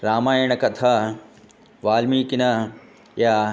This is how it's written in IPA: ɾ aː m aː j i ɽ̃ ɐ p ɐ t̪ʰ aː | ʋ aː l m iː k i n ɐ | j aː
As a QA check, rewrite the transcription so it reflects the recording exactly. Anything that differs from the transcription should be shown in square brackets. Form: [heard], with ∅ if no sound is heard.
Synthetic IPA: ɾ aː m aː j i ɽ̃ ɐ [k] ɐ t̪ʰ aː | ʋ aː l m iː k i n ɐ | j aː